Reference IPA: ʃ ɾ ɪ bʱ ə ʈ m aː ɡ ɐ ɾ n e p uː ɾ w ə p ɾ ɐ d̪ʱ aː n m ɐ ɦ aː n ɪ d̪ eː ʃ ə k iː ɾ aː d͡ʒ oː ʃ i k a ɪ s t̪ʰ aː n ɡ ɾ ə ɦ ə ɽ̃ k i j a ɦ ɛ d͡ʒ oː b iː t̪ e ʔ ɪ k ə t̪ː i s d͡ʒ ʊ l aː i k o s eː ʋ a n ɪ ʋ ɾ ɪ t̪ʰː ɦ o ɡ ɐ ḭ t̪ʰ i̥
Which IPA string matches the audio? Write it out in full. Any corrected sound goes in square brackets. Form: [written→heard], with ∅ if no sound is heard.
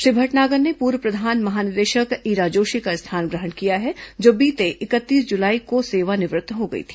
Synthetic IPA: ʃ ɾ ɪ bʱ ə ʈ [m→n] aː ɡ [ɐ→ə] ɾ n e p uː ɾ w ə p ɾ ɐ d̪ʱ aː n m ɐ ɦ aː n ɪ d̪ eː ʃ ə k iː ɾ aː d͡ʒ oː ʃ i k a ɪ s t̪ʰ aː n ɡ ɾ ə ɦ ə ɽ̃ k i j a ɦ ɛ d͡ʒ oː b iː t̪ e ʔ ɪ k ə t̪ː [i→iː] s d͡ʒ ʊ l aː i k o s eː ʋ a n ɪ ʋ ɾ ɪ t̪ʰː ɦ o ɡ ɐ ḭ t̪ʰ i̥

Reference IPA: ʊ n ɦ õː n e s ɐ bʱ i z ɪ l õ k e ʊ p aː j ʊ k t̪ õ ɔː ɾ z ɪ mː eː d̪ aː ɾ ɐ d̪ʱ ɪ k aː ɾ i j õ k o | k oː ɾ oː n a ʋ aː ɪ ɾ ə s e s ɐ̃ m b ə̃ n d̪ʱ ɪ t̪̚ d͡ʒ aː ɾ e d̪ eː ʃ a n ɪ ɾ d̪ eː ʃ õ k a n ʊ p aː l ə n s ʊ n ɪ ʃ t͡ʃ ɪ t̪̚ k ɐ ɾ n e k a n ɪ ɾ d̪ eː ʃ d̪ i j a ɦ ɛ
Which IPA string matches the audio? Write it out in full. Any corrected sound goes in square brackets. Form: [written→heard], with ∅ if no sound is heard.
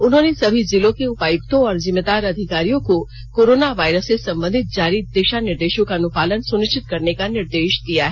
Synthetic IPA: ʊ n ɦ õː n e s ɐ bʱ i z ɪ l õ k e ʊ p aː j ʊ k t̪ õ ɔː ɾ z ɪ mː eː d̪ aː ɾ ɐ d̪ʱ ɪ k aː ɾ i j õ k o | k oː ɾ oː n a ʋ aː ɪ ɾ ə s e s ɐ̃ m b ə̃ n d̪ʱ ɪ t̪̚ d͡ʒ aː ɾ [e→i] d̪ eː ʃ a n ɪ ɾ d̪ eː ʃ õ k a n ʊ p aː l ə n s ʊ n ɪ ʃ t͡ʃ ɪ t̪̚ k ɐ ɾ n e k a n ɪ ɾ d̪ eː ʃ d̪ i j a ɦ ɛ

